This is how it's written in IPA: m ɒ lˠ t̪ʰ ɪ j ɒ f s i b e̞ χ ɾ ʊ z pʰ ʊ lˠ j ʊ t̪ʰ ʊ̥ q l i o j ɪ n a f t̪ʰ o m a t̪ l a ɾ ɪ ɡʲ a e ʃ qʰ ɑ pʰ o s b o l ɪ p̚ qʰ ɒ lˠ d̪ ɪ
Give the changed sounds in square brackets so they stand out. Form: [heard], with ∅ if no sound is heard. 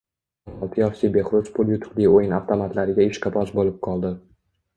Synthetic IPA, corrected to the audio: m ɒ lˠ t̪ʰ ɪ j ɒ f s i b e̞ χ ɾ ʊ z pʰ ʊ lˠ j ʊ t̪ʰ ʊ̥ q l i o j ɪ n a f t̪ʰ o m a t̪ l a ɾ ɪ ɡʲ a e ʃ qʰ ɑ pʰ [ɒ] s b o l ɪ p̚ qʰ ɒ lˠ d̪ ɪ